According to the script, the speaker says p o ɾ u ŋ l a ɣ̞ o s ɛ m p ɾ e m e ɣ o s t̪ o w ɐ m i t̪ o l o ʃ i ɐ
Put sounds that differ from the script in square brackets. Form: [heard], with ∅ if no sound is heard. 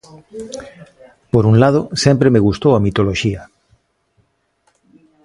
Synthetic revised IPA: p o ɾ u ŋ l a [ð̞] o s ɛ m p ɾ e m e ɣ [u] s t̪ o w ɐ m i t̪ o l o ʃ i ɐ